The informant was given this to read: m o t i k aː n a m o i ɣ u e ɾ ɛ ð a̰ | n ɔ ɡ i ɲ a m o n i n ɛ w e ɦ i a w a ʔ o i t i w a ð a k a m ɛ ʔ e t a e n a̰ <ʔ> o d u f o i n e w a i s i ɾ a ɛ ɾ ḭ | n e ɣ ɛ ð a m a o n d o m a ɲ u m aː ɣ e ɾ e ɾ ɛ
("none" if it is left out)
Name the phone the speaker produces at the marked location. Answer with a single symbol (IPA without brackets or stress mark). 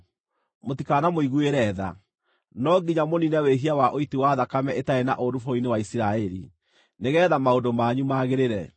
ʔ